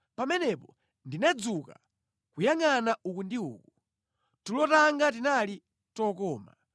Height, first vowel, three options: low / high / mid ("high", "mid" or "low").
low